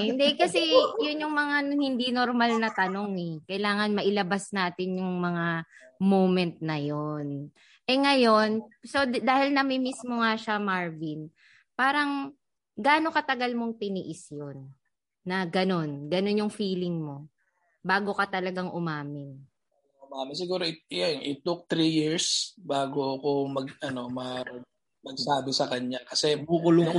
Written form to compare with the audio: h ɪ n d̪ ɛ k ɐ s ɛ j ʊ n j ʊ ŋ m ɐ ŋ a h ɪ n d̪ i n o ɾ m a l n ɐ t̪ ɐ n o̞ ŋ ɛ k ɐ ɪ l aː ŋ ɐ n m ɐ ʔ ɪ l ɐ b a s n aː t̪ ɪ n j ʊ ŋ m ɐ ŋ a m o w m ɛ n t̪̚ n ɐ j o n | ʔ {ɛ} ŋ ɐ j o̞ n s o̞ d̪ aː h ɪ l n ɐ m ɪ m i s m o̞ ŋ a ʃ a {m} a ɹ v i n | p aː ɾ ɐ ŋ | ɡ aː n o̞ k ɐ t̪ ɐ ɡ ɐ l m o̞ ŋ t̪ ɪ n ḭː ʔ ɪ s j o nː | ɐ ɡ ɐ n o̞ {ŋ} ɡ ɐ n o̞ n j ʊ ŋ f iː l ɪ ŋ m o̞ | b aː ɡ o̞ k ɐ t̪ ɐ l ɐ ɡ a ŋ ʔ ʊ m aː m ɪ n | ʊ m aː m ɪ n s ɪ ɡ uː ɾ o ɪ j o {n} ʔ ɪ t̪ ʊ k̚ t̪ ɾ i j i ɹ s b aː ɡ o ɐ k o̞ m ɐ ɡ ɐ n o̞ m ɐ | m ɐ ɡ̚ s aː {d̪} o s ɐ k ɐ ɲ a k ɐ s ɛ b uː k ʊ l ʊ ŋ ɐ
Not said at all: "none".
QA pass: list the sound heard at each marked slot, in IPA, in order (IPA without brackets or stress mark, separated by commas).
ɛ, m, n, n, d̪